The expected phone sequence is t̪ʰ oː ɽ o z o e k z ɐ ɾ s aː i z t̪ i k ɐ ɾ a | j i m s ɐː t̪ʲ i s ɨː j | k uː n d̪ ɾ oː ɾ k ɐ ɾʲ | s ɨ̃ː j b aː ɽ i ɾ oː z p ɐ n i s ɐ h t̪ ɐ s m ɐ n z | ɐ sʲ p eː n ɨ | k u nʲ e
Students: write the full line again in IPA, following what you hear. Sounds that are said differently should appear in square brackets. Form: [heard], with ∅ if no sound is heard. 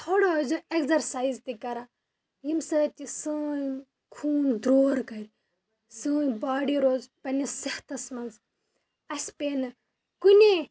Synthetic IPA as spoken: t̪ʰ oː ɽ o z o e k z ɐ ɾ s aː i z t̪ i k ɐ ɾ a | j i m s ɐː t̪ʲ i s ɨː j | [kʰ] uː n d̪ ɾ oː ɾ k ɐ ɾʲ | s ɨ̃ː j b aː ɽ i ɾ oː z p ɐ n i s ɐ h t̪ ɐ s m ɐ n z | ɐ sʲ p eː n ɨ | k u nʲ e